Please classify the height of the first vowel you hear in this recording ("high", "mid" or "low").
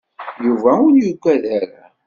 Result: high